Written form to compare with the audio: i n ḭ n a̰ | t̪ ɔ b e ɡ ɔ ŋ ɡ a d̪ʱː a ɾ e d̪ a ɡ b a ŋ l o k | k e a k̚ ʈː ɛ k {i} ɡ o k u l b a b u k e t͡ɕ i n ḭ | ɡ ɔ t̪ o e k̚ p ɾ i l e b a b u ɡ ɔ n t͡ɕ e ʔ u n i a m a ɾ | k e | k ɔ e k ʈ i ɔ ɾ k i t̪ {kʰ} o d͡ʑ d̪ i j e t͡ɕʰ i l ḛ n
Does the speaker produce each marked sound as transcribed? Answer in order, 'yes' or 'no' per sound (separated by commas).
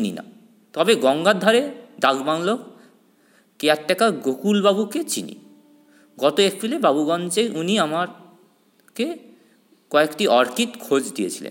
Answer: no, yes